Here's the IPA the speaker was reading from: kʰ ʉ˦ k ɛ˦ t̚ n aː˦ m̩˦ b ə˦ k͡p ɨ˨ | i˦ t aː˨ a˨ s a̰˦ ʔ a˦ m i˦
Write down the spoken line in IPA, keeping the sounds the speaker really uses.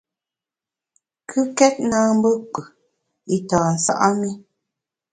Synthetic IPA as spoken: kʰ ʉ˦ k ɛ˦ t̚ n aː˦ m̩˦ b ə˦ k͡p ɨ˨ | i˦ t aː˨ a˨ s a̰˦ ʔ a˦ m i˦